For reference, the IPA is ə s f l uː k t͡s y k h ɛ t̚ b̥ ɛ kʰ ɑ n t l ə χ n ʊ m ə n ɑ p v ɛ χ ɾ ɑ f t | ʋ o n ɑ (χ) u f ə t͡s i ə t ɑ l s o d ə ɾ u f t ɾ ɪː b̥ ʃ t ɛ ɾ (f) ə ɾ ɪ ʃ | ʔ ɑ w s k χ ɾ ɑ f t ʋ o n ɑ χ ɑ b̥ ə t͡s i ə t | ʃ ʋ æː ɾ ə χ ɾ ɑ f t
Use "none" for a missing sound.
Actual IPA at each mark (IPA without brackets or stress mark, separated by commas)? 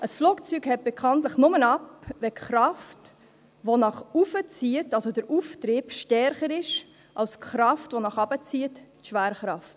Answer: χ, χ